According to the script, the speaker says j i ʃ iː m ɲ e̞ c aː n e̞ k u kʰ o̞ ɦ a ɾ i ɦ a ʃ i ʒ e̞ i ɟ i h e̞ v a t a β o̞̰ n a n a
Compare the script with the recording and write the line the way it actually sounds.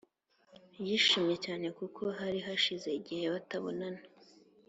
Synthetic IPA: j i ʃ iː m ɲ e̞ c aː n e̞ k u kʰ o̞ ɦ a ɾ i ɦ a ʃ i z e̞ i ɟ i h e̞ β a t a β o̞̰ n a n a